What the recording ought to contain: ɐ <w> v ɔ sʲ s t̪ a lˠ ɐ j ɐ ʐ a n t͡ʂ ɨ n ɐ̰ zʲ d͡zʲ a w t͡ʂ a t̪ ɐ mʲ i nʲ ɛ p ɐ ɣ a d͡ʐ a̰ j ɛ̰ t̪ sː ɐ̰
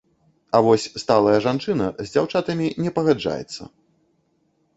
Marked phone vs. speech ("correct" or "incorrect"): incorrect